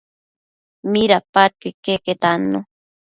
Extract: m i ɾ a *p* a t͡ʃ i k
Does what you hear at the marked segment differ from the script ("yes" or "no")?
no